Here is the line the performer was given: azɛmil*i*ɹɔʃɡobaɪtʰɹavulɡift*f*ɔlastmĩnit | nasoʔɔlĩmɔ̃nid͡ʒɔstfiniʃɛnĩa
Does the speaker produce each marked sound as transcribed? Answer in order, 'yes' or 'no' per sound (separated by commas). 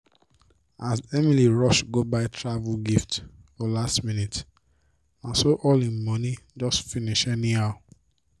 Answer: yes, yes